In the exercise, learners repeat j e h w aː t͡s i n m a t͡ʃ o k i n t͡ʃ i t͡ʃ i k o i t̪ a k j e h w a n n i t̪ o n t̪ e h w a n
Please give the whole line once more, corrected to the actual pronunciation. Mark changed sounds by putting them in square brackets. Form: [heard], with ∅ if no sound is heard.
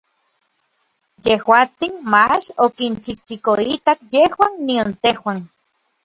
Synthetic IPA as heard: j e h w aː t͡s i n m a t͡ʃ o k i n t͡ʃ i t͡ʃ i k o i t̪ a k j e h w a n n i [∅] o n t̪ e h w a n